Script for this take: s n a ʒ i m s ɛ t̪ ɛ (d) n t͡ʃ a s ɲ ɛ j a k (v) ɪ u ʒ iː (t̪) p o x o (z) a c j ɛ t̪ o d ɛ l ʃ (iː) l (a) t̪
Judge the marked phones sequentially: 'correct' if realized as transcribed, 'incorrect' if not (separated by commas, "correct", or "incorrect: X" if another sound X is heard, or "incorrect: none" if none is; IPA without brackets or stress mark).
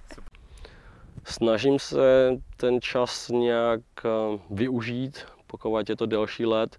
incorrect: none, correct, correct, incorrect: v, correct, incorrect: ɛ